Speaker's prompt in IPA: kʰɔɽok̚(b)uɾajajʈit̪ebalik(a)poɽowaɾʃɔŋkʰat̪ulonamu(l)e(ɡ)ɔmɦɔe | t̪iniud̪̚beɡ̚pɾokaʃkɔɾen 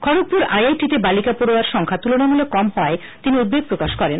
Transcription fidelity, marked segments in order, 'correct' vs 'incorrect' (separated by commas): incorrect, correct, correct, incorrect